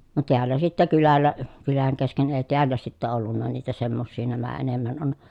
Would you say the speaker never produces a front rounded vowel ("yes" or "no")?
no